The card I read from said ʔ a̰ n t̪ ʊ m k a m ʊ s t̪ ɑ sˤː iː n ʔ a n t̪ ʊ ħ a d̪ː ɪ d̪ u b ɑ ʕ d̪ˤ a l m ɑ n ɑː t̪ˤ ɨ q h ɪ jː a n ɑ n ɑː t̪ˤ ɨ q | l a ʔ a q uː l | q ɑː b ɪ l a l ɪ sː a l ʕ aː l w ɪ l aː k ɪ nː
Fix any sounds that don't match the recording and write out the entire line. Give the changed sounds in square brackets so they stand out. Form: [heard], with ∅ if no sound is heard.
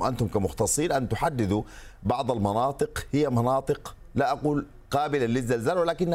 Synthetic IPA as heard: ʔ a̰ n t̪ ʊ m k a m ʊ [x] t̪ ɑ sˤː iː n ʔ a n t̪ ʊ ħ a d̪ː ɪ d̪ u b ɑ ʕ d̪ˤ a l m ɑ n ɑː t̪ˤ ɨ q h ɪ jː a [m] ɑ n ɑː t̪ˤ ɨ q | l a ʔ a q uː l | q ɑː b ɪ l a l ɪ [zː] a l [z] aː l w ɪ l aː k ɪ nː